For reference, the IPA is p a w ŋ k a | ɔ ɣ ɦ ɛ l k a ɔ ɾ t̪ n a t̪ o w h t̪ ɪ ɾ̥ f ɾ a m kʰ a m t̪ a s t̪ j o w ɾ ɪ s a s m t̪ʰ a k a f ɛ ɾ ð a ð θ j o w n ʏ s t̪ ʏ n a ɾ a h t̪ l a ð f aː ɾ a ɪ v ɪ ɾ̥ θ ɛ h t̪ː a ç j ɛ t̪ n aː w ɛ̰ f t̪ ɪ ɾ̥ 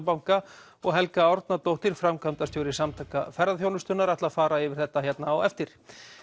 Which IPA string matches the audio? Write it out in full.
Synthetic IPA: p a w ŋ k a | ɔ ɣ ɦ ɛ l k a ɔ ɾ t̪ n a t̪ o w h t̪ ɪ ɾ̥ f ɾ a m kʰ a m t̪ a s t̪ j o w ɾ ɪ s a m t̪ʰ a k a f ɛ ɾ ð a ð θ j o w n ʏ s t̪ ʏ n a ɾ a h t̪ l a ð f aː ɾ a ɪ v ɪ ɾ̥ θ ɛ h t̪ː a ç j ɛ t̪ n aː w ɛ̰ f t̪ ɪ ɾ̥

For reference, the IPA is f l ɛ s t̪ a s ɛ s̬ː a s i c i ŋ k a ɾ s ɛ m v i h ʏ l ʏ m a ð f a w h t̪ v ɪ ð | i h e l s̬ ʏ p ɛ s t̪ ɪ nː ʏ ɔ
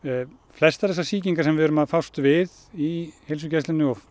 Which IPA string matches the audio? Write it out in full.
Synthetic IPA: f l ɛ s t̪ a θ ɛ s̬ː a s iː c i ŋ k a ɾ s ɛ m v ɪ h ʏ ɾ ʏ m a ð f a w s t̪ v ɪ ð | i h e l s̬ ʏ c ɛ s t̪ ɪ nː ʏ ɔ

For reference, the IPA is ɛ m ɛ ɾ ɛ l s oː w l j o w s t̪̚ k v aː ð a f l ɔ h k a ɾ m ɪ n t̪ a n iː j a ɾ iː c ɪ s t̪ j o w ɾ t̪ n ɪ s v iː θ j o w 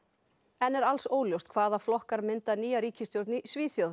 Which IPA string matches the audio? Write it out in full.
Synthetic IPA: ɛ n ɛ ɾ a l s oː w l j o w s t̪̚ kʰ v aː ð a f l ɔ h k a ɾ m ɪ n t̪ a n iː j a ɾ iː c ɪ s t̪ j o w ɾ t̪ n ɪ s v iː θ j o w

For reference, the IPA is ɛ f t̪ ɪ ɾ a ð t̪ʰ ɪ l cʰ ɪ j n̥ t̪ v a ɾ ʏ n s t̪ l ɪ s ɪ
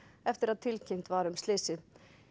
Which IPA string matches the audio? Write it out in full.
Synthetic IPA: ɛ f t̪ ɪ ɾ a ð t̪ʰ ɪ l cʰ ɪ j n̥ t̪ v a ɾ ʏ m s t̪ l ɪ s ɪ

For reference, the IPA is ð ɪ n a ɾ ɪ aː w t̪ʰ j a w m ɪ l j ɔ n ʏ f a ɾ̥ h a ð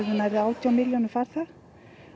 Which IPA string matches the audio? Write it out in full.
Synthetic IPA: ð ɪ n a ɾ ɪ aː w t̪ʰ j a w m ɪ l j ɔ n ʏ f a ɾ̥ θ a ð

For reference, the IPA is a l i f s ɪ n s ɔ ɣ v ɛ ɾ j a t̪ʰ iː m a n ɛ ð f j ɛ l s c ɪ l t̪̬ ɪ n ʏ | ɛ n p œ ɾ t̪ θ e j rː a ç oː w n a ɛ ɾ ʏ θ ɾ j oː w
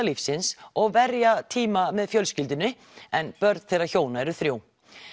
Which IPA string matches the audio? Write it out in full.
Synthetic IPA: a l i f s ɪ n s ɔ ɣ v ɛ ɾ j a t̪ʰ iː m a m ɛ ð f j œ l s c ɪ l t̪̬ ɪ n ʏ | ɛ n p œ ɾ t̪ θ e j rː a ç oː w n a ɛ ɾ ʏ θ ɾ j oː w

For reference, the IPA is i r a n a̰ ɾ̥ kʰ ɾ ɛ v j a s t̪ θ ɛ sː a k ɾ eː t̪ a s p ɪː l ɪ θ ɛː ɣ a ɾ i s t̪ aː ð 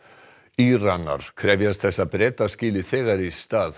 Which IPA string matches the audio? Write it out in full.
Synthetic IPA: i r a n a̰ ɾ̥ kʰ ɾ ɛ v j a s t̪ θ ɛ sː a p ɾ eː t̪ a s c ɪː l ɪ θ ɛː ɣ a ɾ i s t̪ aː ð

